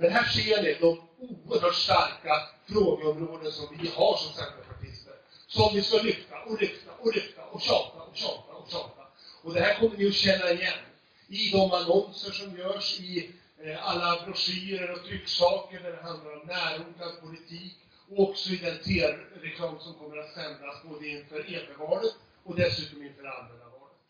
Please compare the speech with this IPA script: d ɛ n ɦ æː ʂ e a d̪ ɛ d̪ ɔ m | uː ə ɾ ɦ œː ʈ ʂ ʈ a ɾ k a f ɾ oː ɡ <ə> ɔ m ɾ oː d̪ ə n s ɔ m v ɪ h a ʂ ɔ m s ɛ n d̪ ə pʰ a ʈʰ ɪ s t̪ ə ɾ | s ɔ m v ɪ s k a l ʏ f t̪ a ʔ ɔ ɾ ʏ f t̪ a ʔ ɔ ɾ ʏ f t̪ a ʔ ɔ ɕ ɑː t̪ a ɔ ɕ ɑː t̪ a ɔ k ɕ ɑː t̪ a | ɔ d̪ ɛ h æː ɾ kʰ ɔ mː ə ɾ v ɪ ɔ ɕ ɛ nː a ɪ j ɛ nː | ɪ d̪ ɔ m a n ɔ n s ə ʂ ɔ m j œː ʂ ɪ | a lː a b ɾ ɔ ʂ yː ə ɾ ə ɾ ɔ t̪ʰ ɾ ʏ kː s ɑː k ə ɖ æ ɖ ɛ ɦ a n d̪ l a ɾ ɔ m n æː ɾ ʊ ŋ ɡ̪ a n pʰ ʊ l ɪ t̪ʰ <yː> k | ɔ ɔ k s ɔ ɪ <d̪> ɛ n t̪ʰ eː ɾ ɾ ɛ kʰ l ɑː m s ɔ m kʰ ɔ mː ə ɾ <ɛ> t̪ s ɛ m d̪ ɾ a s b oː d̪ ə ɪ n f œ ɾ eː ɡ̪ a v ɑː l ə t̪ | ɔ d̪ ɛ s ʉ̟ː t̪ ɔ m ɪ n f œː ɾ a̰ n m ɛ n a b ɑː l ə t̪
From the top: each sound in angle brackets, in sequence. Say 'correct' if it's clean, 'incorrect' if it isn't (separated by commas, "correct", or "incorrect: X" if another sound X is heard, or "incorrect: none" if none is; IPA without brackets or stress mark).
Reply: correct, incorrect: iː, correct, incorrect: a